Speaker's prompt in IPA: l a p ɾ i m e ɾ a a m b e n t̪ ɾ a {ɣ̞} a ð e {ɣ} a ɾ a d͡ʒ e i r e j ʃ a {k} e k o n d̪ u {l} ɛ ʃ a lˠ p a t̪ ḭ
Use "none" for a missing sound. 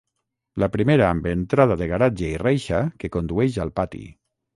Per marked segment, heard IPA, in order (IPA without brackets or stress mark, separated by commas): ð̞, ɣ, k, none